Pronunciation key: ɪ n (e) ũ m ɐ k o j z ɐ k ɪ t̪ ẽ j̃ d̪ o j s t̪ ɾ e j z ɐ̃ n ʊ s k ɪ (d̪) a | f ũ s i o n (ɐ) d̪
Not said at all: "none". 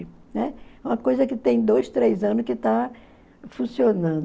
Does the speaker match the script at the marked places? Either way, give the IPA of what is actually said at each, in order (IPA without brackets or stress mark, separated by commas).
ɛ, t̪, ɐ̃